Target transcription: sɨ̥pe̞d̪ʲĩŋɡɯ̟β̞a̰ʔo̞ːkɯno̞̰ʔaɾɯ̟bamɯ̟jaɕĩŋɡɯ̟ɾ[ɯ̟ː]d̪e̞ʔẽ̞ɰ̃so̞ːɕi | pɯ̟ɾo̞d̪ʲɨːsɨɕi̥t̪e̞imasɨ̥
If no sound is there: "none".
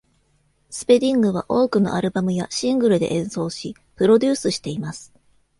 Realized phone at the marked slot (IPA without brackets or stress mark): ɯ̟